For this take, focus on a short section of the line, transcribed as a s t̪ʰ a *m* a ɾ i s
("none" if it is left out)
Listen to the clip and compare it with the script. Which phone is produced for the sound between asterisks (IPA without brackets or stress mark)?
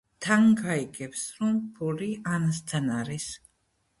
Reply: n